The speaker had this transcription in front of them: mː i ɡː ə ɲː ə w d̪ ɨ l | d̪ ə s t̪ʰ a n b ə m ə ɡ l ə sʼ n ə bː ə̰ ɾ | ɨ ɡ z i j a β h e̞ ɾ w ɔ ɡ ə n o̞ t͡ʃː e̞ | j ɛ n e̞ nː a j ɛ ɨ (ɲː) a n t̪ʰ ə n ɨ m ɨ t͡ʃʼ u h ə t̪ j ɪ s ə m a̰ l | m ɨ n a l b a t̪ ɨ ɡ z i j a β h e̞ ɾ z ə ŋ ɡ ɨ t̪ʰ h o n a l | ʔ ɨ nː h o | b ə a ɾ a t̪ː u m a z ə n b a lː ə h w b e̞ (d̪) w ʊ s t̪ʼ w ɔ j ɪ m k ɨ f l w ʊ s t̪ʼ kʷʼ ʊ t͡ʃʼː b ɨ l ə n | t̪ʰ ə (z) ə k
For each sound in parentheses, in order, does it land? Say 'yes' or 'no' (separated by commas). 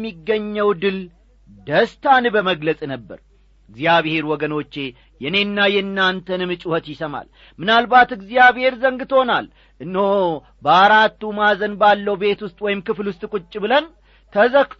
no, no, yes